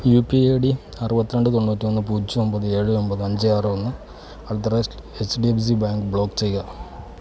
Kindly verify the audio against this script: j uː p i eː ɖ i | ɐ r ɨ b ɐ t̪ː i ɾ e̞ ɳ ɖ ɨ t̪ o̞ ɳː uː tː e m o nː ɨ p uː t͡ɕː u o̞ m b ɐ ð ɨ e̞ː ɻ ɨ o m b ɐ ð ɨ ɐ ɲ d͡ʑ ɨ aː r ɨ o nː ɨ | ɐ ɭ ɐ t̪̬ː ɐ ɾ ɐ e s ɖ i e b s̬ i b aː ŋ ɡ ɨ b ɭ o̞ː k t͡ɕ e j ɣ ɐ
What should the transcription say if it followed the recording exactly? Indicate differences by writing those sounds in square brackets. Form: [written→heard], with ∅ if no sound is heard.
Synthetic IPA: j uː p i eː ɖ i | ɐ r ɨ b ɐ t̪ː i ɾ e̞ ɳ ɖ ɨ t̪ o̞ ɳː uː tː [e→i] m o nː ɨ p uː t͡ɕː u o̞ m b ɐ ð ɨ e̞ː ɻ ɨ o m b ɐ ð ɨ ɐ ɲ d͡ʑ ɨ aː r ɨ o nː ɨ | ɐ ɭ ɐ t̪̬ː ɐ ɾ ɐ e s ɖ i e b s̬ i b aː ŋ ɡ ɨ b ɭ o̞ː k t͡ɕ e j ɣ ɐ